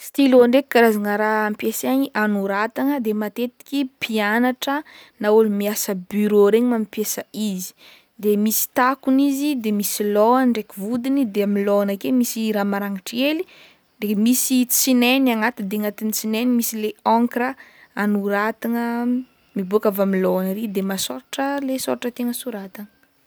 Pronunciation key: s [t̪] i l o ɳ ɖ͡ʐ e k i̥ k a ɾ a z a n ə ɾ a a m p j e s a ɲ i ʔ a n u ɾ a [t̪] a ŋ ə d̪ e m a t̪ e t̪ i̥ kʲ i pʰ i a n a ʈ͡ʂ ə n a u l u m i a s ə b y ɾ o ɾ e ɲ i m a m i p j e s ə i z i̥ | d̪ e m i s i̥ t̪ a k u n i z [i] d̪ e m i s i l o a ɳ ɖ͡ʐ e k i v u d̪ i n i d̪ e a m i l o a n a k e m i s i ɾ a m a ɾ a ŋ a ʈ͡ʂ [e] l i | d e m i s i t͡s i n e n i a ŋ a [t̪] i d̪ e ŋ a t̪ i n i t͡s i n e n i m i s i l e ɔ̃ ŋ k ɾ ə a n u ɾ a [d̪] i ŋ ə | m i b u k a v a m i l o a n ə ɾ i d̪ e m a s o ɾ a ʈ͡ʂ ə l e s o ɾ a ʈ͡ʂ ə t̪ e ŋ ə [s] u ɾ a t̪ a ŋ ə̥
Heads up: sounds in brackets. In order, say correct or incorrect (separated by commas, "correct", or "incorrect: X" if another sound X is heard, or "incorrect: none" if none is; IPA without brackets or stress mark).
correct, correct, correct, correct, correct, incorrect: t̪, correct